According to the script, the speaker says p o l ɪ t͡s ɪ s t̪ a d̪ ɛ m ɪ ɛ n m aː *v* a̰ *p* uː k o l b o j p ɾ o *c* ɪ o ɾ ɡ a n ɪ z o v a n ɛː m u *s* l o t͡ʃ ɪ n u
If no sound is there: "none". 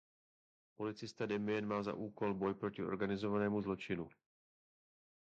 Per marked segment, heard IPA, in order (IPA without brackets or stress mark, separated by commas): z, ʔ, c, z